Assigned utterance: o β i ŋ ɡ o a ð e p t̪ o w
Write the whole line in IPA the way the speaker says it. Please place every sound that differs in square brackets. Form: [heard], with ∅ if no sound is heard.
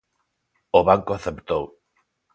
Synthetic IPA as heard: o β [a] ŋ [k] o a [θ] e p t̪ o w